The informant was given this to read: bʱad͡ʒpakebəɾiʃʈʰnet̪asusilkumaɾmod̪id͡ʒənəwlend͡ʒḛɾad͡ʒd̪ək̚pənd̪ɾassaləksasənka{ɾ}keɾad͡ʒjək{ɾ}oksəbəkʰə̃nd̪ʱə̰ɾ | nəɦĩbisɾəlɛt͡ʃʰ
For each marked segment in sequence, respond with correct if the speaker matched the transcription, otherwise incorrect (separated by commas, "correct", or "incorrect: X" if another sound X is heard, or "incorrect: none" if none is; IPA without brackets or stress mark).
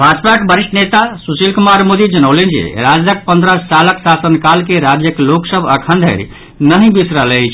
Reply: incorrect: l, incorrect: l